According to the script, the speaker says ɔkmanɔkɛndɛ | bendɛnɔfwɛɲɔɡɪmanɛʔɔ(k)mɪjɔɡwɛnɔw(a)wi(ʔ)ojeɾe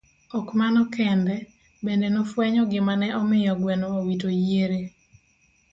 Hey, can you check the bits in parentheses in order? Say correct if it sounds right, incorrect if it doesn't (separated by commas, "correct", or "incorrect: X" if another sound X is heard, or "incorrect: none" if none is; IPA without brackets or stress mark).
incorrect: none, correct, incorrect: t